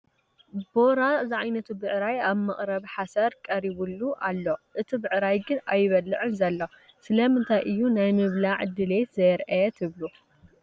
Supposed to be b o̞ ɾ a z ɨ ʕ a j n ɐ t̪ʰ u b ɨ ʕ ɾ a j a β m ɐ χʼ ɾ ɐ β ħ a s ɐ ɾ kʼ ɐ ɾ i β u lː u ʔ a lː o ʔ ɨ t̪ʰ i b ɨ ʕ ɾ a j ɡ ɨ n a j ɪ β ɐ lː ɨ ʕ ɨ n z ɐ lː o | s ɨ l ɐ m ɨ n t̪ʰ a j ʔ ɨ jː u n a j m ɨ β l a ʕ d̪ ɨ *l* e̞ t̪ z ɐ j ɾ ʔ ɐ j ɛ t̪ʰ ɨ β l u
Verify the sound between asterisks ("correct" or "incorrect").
correct